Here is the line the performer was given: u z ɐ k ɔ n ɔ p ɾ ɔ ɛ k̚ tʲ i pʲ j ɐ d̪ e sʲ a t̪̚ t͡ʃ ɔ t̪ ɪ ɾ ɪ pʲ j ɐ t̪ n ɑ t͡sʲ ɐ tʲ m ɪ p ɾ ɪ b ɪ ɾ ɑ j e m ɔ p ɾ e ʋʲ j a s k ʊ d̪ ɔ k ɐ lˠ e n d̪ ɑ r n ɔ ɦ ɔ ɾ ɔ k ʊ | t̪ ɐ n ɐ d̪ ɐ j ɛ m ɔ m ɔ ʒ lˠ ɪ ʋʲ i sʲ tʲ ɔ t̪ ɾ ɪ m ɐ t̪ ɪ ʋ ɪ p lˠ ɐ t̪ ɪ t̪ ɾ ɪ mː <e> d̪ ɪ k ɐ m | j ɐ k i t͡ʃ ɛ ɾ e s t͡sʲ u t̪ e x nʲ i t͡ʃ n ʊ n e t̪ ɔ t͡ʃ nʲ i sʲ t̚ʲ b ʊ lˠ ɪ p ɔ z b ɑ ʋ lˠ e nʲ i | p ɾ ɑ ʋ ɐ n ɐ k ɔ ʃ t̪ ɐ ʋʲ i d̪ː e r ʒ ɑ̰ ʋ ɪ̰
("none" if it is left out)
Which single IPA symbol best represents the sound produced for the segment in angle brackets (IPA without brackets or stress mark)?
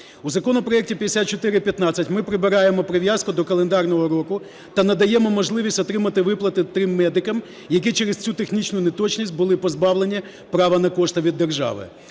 ɛ